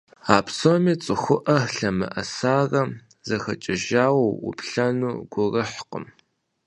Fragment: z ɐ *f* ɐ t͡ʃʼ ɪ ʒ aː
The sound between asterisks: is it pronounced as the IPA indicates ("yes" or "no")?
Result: no